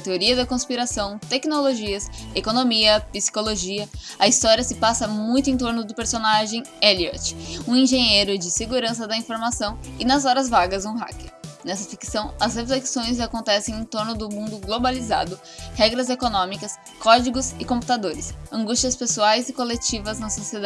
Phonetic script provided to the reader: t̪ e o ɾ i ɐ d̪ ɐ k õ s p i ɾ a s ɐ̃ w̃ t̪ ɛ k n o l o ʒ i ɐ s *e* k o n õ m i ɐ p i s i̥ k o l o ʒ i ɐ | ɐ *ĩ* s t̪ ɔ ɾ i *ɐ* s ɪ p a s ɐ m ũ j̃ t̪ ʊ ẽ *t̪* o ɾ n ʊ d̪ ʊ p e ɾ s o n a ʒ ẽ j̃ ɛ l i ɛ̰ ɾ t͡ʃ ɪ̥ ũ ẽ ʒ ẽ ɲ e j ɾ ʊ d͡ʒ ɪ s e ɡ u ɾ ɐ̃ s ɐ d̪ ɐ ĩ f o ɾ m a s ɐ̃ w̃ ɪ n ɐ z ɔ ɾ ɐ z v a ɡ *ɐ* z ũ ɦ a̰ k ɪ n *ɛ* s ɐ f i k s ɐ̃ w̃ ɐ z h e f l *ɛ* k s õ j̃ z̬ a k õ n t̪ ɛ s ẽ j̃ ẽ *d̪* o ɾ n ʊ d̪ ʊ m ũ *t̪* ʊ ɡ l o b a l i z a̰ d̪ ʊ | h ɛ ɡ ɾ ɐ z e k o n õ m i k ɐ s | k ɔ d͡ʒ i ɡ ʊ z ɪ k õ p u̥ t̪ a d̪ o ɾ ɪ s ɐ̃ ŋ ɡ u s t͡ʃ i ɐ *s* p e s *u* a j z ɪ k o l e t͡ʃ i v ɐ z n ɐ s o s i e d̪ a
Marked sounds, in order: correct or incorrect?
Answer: correct, incorrect, correct, correct, correct, correct, incorrect, incorrect, incorrect, correct, correct

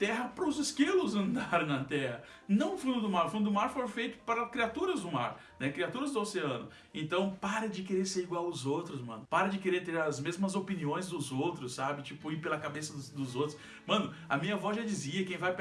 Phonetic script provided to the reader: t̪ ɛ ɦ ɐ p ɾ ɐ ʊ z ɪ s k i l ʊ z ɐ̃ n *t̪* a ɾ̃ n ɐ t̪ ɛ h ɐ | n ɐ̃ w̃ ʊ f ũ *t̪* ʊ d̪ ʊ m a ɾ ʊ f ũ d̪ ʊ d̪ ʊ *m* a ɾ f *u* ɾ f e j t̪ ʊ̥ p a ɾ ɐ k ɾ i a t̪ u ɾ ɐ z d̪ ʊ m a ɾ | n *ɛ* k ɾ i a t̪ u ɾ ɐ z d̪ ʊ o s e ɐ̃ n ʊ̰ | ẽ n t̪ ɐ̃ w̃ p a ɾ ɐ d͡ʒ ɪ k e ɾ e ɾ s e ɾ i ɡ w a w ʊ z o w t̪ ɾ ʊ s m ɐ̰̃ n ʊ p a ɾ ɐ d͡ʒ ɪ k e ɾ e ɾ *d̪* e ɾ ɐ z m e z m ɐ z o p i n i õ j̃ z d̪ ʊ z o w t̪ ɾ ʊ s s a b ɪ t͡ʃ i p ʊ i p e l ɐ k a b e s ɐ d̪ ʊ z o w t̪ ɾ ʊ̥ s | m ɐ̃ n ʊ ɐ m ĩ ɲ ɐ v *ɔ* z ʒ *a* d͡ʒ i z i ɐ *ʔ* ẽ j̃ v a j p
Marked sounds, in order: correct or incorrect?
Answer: incorrect, incorrect, correct, incorrect, correct, incorrect, correct, correct, incorrect

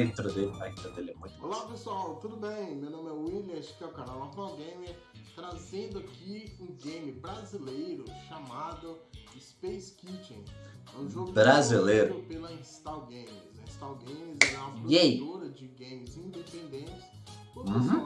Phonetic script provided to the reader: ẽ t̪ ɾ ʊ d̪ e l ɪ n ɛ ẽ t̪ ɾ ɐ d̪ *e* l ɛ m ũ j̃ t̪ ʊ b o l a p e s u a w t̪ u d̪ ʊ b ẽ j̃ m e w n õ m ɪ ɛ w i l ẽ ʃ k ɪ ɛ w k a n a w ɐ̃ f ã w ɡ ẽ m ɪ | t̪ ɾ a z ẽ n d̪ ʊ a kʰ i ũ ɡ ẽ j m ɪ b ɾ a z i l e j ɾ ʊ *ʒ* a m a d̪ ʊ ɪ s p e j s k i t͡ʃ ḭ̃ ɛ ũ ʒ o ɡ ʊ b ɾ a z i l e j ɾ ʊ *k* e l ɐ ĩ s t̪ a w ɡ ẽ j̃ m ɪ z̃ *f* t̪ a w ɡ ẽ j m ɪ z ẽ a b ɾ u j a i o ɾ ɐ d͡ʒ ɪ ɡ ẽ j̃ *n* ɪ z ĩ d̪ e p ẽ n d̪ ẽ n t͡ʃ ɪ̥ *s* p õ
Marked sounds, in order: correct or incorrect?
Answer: correct, incorrect, incorrect, incorrect, incorrect, correct

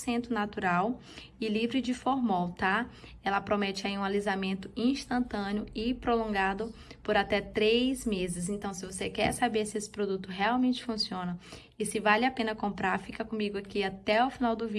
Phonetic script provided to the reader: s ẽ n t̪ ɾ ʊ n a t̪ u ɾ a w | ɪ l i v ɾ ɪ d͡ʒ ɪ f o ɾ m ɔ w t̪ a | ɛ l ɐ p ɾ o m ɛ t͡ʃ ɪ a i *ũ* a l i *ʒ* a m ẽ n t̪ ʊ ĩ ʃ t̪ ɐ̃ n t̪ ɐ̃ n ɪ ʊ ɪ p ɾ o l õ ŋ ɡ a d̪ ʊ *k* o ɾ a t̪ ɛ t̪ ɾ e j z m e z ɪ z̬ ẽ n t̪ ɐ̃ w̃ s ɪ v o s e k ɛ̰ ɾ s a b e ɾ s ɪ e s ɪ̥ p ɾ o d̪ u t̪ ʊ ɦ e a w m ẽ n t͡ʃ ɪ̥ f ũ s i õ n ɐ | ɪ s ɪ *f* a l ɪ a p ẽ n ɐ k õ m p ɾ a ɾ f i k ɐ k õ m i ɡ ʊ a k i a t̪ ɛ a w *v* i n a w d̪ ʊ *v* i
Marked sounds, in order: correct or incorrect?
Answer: correct, incorrect, incorrect, incorrect, incorrect, correct

